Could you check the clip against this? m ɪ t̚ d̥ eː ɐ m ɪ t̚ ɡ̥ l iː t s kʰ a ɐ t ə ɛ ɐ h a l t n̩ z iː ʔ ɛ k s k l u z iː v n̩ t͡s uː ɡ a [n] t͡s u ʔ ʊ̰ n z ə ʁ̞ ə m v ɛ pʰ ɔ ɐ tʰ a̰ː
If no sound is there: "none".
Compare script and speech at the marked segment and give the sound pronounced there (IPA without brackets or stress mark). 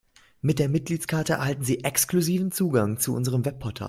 ŋ